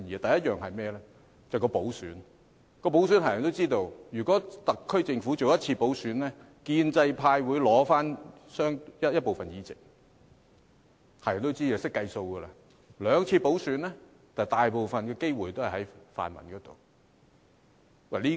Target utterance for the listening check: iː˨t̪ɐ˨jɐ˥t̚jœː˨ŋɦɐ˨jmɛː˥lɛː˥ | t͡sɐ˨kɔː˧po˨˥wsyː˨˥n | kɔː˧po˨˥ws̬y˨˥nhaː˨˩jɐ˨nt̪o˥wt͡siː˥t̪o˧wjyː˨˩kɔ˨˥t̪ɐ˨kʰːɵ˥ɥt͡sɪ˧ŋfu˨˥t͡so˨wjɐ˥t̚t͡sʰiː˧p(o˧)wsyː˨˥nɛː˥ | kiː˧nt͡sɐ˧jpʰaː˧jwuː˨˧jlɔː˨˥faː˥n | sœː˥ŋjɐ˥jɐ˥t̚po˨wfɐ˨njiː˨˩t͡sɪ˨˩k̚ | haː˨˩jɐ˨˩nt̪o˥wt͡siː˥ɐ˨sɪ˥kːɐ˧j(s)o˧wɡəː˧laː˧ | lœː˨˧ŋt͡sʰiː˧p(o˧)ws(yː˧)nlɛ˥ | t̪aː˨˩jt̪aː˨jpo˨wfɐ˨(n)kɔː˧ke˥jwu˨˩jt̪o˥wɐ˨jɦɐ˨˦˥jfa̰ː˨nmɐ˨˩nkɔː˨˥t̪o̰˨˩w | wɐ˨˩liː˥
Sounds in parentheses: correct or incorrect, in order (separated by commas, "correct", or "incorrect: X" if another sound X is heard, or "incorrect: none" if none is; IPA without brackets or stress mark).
incorrect: o˨˥, correct, incorrect: o˨˥, incorrect: yː˨˥, correct